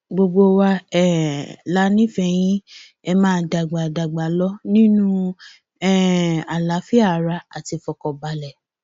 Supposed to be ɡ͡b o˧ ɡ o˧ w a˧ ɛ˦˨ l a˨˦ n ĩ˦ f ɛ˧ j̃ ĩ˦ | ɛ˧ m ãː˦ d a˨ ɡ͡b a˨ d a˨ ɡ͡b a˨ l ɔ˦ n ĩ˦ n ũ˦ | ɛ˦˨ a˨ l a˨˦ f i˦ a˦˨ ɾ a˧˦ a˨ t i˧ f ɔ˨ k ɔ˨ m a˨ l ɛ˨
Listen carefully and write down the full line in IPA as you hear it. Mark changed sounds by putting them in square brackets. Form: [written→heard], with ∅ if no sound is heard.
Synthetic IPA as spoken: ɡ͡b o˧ [ɡ→ɡ͡b] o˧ w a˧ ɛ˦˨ l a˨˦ n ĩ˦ f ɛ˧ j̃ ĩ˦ | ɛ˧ m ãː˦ d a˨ ɡ͡b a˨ d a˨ ɡ͡b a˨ l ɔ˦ n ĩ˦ n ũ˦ | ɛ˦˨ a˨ l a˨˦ f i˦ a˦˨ ɾ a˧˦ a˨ t i˧ f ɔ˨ k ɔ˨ [m→b] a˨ l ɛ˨